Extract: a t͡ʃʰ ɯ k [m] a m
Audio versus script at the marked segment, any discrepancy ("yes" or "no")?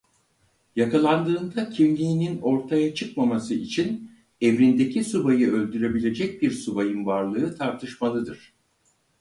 no